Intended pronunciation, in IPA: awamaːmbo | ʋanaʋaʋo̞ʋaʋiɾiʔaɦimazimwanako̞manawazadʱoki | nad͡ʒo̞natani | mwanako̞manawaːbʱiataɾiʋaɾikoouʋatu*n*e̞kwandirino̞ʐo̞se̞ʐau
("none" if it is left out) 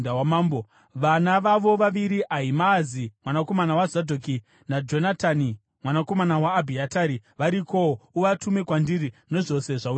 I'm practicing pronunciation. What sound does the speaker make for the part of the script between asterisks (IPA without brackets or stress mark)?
m